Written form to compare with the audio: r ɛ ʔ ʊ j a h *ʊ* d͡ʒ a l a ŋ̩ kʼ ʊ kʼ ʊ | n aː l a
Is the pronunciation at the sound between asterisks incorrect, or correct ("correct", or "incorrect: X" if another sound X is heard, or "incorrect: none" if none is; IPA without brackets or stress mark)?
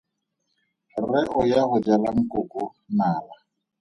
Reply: correct